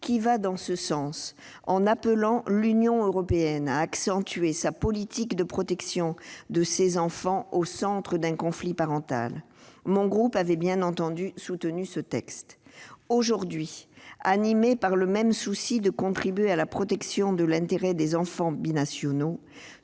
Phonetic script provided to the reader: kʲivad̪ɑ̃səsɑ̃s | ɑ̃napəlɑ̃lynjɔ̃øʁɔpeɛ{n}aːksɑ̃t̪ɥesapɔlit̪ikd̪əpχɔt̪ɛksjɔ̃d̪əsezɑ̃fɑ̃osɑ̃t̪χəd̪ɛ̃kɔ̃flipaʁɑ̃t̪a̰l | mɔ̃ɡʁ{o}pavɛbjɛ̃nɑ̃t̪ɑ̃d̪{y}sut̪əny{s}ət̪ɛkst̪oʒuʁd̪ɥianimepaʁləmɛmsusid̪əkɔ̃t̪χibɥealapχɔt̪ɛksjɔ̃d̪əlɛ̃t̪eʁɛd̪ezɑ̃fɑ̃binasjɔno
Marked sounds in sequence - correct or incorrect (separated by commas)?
correct, incorrect, correct, correct